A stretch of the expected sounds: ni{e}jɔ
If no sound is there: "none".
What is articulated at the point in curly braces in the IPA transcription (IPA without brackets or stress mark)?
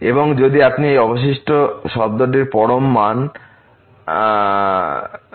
e